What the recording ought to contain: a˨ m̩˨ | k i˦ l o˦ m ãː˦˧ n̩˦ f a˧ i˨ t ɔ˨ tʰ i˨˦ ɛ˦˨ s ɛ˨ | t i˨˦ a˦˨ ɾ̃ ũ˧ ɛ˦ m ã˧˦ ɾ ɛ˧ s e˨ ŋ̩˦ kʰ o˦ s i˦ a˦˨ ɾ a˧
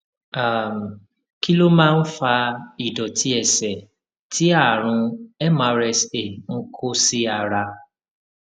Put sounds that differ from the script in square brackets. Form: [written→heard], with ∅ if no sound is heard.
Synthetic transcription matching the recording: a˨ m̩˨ | k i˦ l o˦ m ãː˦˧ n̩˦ f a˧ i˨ [t→d] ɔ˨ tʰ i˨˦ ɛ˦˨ s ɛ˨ | t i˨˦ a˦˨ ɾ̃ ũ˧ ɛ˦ m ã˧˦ ɾ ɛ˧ s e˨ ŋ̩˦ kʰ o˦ s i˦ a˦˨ ɾ a˧